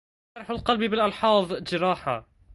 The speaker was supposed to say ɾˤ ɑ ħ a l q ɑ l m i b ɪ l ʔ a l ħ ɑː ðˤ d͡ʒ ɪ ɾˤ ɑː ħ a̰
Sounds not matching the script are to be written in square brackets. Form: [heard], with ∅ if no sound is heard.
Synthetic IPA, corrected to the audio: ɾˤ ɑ ħ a l q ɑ l [b] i b ɪ l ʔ [ɑ] l ħ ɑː ðˤ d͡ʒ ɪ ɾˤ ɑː ħ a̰